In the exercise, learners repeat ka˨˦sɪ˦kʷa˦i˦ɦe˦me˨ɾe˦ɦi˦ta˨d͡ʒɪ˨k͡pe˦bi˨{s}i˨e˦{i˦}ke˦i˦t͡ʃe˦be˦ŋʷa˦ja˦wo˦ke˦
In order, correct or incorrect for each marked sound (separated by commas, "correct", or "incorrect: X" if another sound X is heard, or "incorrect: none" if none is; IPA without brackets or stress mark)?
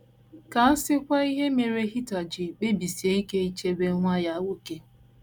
correct, correct